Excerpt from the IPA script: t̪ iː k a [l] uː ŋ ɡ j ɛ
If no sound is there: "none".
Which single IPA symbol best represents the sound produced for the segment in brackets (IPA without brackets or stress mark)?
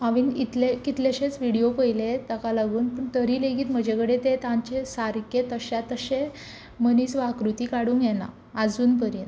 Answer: ɽ